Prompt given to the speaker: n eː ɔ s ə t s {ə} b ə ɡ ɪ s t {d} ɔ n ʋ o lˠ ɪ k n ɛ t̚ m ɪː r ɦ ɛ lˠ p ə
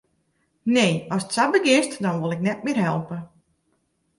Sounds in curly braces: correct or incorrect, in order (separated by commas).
incorrect, correct